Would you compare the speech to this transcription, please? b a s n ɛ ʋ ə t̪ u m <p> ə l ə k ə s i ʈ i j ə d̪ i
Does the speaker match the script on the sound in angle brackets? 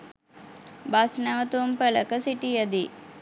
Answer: yes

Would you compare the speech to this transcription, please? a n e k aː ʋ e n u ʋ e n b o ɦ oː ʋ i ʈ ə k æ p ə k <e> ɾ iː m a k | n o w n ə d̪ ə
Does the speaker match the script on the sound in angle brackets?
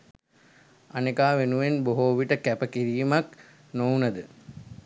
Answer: no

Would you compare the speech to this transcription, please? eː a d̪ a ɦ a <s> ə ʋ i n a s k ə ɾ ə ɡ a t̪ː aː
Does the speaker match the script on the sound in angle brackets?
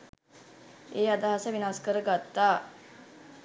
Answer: yes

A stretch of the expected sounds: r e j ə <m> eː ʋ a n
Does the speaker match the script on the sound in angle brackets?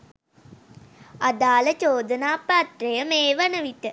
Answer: yes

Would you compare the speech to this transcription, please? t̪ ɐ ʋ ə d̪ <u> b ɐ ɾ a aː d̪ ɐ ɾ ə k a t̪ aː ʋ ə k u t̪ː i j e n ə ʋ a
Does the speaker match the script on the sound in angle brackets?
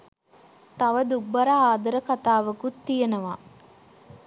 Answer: yes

